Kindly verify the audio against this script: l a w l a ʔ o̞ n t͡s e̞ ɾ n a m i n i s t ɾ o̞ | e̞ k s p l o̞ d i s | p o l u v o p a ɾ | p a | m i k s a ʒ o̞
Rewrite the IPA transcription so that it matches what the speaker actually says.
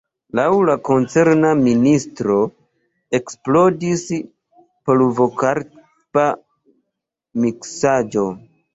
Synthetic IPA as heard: l a w l a k o̞ n t͡s e̞ ɾ n a m i n i s t ɾ o̞ | e̞ k s p l o̞ d i s | p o l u v o k a ɾ | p a | m i k s a d͡ʒ o̞